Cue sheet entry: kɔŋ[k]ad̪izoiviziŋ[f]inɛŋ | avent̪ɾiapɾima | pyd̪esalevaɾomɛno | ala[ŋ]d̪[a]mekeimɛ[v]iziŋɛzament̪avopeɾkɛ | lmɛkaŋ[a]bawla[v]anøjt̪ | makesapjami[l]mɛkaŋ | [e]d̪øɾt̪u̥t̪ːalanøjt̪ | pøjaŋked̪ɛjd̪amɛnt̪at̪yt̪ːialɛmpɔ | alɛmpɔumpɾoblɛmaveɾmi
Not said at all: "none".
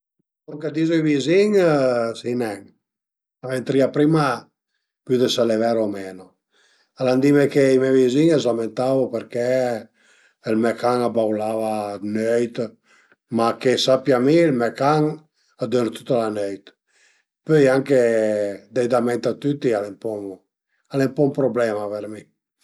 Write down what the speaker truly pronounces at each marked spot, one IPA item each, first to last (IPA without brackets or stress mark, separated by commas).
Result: k, s, n, i, v, a, v, l, a